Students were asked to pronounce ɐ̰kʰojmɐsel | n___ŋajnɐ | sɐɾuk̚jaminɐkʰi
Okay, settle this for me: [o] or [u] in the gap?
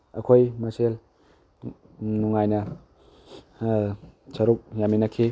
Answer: u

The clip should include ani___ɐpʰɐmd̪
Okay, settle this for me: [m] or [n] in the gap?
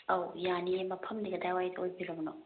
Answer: m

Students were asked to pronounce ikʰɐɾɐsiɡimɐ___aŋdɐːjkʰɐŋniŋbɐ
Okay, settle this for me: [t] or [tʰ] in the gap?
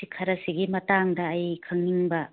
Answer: t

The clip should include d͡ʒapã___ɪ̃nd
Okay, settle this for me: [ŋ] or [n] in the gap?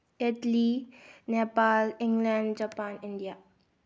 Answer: n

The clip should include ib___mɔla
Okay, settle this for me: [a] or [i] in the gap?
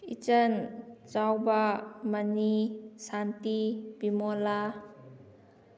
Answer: i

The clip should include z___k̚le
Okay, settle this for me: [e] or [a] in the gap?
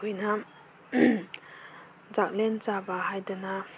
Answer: a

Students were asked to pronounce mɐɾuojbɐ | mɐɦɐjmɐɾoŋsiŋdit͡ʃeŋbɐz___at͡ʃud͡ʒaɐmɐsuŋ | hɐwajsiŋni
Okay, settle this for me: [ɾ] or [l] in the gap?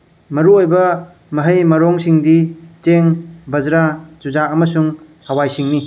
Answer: ɾ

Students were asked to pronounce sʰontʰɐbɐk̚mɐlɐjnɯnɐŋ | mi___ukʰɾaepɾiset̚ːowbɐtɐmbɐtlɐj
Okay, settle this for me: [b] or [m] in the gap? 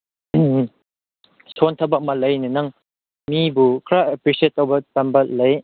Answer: b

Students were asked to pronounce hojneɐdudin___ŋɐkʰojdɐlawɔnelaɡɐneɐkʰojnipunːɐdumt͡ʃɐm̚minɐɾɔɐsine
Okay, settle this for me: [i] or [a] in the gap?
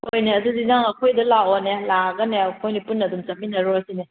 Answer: a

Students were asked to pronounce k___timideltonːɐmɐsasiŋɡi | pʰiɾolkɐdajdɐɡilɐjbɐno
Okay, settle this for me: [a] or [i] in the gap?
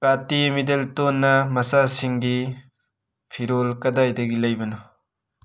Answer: a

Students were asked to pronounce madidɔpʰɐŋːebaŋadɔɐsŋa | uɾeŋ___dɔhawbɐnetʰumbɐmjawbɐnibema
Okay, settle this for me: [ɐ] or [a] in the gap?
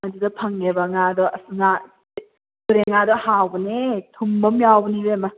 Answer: a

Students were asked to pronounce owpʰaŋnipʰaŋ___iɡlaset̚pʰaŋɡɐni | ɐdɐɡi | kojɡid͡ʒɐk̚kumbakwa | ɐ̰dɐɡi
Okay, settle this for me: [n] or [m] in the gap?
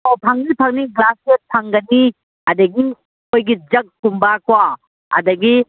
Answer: n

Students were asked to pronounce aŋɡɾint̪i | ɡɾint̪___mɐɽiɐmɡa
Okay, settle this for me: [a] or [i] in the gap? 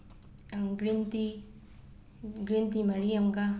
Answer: i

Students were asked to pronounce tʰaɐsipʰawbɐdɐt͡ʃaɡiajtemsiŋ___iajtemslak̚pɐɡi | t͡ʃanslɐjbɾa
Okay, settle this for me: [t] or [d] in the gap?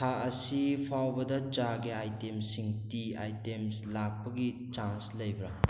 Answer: t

